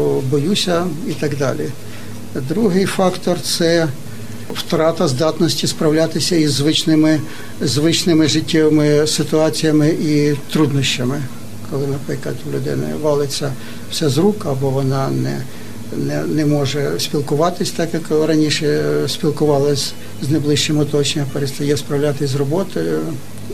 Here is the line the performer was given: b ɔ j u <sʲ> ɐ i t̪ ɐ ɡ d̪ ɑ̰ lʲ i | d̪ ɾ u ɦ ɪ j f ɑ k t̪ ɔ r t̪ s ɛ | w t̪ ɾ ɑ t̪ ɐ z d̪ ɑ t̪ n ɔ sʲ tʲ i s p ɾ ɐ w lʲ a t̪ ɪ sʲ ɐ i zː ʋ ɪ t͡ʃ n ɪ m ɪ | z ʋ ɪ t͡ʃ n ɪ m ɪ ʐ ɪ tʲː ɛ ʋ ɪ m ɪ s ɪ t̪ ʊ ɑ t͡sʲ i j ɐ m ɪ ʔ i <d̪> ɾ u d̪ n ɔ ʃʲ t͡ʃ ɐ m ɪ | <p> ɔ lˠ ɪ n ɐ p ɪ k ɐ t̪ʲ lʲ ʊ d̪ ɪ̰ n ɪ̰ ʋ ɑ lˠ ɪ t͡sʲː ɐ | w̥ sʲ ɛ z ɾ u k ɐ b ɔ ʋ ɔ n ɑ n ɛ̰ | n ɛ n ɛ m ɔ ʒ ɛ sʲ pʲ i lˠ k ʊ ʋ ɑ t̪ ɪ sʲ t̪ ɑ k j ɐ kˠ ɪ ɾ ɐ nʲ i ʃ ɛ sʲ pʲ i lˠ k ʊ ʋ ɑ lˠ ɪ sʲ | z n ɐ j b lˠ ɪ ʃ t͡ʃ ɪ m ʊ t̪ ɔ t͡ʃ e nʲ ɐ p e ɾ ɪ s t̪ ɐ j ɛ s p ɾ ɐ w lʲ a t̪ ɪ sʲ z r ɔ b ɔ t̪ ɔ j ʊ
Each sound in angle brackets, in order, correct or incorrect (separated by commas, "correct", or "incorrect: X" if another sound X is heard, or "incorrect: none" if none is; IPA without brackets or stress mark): correct, incorrect: t̪, incorrect: k